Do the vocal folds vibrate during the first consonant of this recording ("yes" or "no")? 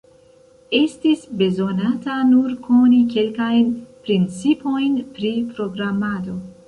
no